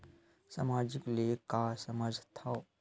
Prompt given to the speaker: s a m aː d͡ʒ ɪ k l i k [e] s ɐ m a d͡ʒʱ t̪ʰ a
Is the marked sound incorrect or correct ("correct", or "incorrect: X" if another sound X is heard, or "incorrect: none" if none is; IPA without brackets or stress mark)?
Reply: incorrect: a